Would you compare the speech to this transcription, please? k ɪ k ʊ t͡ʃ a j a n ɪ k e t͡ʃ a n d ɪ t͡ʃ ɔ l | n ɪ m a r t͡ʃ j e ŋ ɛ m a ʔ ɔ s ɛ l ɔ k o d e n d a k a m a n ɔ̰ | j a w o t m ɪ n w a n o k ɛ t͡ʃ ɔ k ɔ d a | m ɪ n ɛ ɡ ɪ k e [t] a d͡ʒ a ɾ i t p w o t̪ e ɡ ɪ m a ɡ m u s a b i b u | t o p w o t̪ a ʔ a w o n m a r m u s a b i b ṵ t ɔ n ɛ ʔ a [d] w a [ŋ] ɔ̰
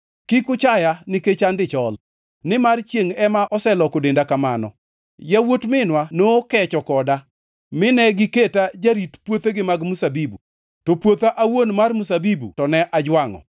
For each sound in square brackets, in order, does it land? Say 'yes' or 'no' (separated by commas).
yes, no, yes